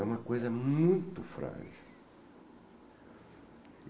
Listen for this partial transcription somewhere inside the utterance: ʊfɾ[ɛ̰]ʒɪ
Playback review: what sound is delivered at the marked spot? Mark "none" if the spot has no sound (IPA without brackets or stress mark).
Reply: a̰